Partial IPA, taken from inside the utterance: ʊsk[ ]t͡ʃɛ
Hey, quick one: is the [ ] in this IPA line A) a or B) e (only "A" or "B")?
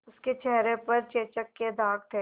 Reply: B